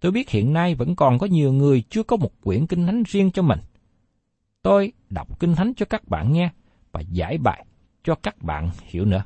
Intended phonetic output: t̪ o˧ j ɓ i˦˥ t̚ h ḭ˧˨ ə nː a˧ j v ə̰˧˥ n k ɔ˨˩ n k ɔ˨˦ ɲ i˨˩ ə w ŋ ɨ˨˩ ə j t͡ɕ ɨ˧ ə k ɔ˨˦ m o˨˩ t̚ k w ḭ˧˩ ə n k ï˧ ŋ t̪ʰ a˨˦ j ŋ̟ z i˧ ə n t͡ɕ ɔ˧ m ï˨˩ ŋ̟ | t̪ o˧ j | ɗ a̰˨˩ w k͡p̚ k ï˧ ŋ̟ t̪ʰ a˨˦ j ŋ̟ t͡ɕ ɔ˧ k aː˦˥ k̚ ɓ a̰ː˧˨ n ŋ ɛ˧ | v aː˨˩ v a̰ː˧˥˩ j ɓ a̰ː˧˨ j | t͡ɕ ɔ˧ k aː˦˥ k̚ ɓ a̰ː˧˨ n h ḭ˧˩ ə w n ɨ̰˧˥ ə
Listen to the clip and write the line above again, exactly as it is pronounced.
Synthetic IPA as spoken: t̪ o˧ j ɓ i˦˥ t̚ h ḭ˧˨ ə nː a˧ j v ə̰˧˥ n k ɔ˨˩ n k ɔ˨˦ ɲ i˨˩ ə w ŋ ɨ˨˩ ə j t͡ɕ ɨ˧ ə k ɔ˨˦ m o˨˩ t̚ k w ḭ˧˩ ə n k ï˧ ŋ t̪ʰ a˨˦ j ŋ̟ z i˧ ə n t͡ɕ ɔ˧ m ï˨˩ ŋ̟ | t̪ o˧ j | ɗ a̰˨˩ w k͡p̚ k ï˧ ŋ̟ t̪ʰ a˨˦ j ŋ̟ t͡ɕ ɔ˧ k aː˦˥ k̚ ɓ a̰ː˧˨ n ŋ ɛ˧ | v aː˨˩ z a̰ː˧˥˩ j ɓ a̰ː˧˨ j | t͡ɕ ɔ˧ k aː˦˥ k̚ ɓ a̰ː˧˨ n h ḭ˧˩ ə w n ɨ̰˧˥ ə